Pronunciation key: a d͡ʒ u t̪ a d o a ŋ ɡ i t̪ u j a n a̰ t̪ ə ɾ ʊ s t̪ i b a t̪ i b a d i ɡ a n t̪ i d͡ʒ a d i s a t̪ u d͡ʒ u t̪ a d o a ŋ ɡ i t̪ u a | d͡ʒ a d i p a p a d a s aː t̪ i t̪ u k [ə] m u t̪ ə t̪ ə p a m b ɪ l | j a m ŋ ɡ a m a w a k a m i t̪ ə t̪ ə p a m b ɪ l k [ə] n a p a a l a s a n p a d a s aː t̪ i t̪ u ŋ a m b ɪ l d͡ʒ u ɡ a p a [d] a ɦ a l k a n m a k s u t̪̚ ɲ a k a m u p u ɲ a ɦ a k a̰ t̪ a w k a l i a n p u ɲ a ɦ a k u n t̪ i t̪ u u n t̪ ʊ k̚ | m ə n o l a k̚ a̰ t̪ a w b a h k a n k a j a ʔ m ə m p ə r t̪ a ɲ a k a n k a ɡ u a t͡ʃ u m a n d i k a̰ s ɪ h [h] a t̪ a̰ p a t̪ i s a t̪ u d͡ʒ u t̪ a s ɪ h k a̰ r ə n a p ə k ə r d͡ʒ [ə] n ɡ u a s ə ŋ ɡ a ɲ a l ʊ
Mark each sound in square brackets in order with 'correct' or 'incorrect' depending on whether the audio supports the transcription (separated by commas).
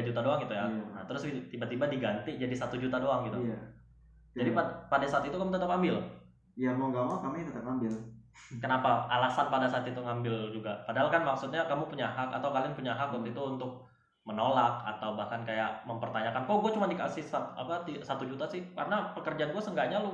incorrect, correct, correct, incorrect, incorrect